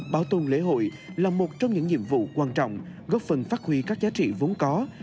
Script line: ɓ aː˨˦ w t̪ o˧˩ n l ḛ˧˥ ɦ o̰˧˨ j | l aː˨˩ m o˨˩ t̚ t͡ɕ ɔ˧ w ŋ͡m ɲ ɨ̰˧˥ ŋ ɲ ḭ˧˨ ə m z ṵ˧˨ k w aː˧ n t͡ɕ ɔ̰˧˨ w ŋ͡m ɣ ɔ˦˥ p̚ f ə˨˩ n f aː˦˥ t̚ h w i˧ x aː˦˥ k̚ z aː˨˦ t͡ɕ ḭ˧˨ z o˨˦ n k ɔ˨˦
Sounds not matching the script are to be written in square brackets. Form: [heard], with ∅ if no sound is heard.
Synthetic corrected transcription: ɓ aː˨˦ w t̪ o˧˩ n l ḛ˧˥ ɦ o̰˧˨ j | l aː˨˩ m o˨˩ t̚ t͡ɕ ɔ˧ w ŋ͡m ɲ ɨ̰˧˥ ŋ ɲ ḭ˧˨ ə m [v] ṵ˧˨ k w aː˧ n t͡ɕ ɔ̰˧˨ w ŋ͡m ɣ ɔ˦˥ p̚ f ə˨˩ n f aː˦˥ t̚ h w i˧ [k] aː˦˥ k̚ z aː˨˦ t͡ɕ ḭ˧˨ [v] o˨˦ n k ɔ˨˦